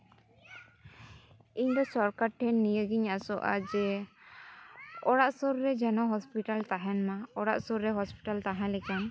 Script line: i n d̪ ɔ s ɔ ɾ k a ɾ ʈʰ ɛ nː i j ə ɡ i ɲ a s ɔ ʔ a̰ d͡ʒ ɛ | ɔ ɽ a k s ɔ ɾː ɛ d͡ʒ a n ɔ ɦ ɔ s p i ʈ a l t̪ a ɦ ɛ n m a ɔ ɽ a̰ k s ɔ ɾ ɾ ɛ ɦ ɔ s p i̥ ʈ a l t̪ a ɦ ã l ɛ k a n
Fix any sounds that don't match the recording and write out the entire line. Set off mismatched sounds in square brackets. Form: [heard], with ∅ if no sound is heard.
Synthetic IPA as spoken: i [ɲ] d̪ ɔ s ɔ ɾ k a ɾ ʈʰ ɛ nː i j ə ɡ i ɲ a s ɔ ʔ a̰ d͡ʒ ɛ | ɔ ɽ a [ʔ] s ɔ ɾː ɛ d͡ʒ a n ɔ ɦ ɔ s p i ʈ a l t̪ a ɦ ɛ n m a ɔ ɽ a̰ [ʔ] s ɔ ɾ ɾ ɛ ɦ ɔ s p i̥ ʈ a l t̪ a ɦ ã l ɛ k a n